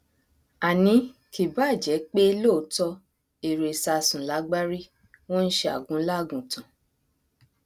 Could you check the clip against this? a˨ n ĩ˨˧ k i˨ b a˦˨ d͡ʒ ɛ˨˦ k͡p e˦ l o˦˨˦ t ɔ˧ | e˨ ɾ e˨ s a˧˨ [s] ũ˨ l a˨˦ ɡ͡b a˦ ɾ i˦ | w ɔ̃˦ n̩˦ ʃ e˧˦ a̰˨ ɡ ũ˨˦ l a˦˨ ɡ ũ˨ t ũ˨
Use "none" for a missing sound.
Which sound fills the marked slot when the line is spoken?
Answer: s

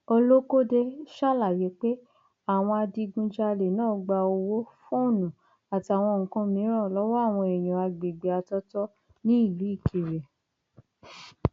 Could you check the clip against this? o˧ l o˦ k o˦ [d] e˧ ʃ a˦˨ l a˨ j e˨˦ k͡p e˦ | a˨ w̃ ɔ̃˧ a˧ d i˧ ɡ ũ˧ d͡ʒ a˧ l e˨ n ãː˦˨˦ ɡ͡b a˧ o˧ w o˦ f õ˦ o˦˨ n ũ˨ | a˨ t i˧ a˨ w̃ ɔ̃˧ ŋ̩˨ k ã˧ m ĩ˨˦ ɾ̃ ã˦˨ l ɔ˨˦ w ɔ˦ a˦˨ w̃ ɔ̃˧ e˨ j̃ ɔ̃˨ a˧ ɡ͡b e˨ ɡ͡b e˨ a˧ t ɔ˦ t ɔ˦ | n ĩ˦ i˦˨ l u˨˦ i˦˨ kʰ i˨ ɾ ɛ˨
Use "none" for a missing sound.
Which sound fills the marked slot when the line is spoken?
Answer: d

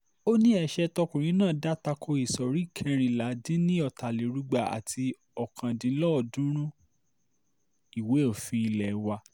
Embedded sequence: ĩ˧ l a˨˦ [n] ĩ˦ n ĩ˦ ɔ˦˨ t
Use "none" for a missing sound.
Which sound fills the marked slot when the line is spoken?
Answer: d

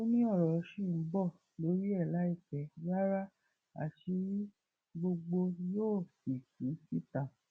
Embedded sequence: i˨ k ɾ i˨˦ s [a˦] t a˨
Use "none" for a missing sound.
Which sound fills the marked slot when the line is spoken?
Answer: i˦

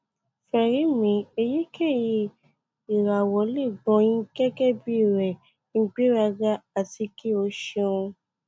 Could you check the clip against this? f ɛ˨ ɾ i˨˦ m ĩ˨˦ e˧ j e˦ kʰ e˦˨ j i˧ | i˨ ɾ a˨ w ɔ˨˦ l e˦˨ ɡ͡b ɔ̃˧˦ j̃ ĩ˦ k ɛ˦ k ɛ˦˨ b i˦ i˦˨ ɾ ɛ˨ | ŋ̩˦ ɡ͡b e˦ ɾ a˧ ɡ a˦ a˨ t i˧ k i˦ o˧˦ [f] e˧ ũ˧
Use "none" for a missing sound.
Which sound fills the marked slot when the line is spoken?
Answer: ʃ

